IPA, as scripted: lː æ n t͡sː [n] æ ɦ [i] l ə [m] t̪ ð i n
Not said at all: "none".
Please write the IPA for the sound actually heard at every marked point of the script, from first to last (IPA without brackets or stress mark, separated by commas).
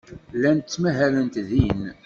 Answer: m, æ, n